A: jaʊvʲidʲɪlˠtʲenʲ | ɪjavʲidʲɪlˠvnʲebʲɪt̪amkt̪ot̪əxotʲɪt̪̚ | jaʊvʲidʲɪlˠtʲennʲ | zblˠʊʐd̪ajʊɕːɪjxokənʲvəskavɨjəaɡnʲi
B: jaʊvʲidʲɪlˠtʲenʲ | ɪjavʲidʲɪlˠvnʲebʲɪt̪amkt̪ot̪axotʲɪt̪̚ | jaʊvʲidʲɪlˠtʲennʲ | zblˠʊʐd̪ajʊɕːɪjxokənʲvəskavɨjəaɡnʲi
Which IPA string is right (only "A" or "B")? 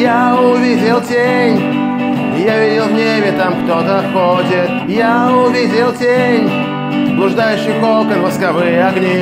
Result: A